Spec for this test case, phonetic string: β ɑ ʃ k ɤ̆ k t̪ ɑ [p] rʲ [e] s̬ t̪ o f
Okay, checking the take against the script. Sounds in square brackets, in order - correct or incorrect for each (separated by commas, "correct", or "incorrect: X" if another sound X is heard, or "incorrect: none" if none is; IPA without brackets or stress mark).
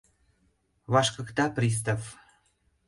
correct, incorrect: i